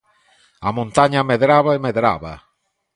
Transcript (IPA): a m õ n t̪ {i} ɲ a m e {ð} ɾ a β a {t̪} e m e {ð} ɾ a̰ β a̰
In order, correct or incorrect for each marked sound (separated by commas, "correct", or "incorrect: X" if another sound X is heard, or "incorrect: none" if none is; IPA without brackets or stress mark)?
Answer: incorrect: a, correct, incorrect: none, correct